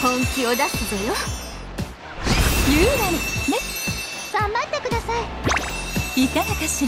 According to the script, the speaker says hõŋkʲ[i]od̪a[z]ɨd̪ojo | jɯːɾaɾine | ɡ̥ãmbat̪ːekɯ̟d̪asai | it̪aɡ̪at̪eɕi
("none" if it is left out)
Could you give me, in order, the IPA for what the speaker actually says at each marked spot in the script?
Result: i, s

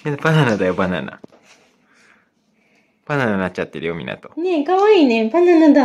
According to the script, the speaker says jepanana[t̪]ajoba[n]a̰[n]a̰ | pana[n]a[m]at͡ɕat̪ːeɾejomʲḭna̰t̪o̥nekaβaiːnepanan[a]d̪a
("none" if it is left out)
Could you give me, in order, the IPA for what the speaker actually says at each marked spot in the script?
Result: d̪, n, n, n, n, a

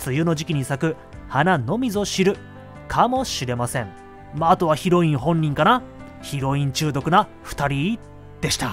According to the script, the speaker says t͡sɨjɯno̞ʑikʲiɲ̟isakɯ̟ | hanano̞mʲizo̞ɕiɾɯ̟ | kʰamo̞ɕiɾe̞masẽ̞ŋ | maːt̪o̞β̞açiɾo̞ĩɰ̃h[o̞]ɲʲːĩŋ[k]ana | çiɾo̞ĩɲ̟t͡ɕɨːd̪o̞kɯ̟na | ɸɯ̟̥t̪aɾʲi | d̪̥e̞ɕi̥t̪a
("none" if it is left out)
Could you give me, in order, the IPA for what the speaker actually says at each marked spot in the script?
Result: õ̞, k

